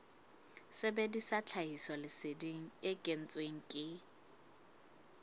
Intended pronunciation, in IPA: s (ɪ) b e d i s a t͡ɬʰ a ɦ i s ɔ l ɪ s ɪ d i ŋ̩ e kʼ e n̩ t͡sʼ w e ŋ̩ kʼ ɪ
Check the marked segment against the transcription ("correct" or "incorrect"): correct